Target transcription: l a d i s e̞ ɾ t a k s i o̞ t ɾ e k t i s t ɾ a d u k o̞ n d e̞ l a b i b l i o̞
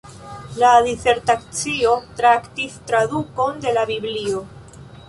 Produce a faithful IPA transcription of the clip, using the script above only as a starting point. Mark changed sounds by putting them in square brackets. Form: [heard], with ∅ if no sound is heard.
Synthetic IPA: l a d i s e̞ ɾ t a k [t͡s] i o̞ t ɾ [a] k t i s t ɾ a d u k o̞ n d e̞ l a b i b l i o̞